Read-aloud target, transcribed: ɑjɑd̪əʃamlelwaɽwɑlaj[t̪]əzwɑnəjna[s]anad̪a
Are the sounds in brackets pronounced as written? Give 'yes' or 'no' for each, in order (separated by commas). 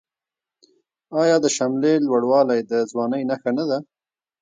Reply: no, no